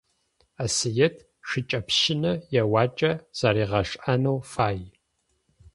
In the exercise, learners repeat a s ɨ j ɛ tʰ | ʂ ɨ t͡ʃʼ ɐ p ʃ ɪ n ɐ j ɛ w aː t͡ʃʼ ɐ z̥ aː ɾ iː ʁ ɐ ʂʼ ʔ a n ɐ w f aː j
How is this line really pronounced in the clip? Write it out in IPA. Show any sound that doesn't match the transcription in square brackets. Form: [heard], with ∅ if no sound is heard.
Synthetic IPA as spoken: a s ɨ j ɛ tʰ | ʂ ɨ t͡ʃʼ ɐ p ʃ ɪ n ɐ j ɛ w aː t͡ʃʼ ɐ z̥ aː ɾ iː ʁ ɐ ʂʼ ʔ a n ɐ w f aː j